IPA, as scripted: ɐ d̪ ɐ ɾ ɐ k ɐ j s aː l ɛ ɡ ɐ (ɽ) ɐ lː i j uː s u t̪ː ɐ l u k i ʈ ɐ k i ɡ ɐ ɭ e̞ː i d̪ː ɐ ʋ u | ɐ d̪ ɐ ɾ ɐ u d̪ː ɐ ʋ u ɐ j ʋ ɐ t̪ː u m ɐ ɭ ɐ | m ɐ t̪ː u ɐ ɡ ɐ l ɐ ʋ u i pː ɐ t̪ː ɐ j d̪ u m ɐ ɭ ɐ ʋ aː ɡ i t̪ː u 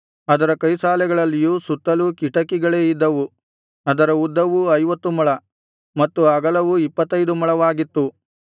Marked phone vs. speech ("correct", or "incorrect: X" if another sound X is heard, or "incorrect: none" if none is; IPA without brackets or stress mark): incorrect: ɭ